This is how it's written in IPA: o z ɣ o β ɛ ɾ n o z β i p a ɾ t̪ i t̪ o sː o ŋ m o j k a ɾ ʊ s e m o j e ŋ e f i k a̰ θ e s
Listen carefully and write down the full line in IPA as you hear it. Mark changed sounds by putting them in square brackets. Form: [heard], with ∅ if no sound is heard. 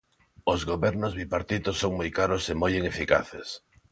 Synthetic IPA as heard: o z ɣ o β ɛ ɾ n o z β i p a ɾ t̪ i t̪ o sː o ŋ m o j k a ɾ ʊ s e m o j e ŋ e f i k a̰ θ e s